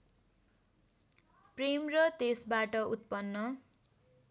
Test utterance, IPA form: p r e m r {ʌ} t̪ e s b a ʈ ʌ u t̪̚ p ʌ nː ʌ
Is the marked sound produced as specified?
yes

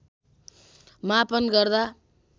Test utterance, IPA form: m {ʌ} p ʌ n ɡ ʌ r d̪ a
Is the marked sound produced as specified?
no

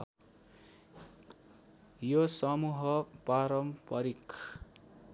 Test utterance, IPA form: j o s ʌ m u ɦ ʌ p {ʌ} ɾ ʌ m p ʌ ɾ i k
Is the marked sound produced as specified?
no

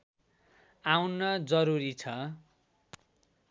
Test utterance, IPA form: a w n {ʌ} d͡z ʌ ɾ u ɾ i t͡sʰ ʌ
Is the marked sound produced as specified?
yes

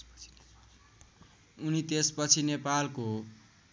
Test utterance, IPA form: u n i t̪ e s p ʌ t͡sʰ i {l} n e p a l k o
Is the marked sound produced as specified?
no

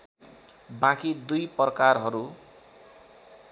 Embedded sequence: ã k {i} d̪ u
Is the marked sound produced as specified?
yes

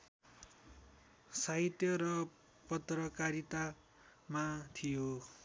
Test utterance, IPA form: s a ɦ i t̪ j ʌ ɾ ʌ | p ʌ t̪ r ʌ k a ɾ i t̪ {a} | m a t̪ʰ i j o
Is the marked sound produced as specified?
yes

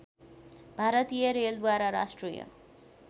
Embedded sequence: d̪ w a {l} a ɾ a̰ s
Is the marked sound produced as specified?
no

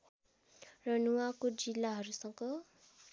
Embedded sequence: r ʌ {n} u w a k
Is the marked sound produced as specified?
yes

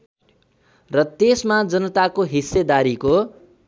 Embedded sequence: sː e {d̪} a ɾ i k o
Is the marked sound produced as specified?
yes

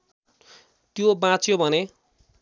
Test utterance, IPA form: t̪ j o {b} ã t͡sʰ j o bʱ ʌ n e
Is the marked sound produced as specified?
yes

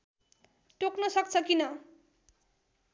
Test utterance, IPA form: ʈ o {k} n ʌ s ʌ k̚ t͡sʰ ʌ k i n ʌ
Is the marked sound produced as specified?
yes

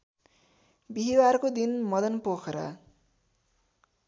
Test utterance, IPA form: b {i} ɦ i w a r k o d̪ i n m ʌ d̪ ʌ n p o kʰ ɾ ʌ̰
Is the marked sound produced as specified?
yes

